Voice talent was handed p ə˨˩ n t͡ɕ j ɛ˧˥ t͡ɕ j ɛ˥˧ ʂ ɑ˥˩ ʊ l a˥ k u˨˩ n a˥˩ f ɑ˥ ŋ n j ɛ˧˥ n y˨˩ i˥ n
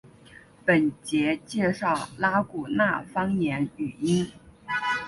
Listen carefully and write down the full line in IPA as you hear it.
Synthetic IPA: p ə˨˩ n t͡ɕ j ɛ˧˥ t͡ɕ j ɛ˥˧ ʂ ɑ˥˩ ʊ l a˥ k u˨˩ n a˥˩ f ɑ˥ ŋ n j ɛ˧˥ n y˨˩ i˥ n